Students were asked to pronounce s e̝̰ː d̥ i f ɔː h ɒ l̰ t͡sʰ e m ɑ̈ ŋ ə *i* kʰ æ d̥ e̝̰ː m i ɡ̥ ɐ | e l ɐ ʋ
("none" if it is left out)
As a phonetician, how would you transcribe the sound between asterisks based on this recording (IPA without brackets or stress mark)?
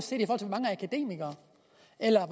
æ